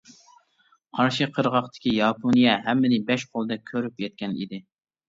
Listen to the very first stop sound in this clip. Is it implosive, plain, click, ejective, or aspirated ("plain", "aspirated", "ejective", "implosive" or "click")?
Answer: aspirated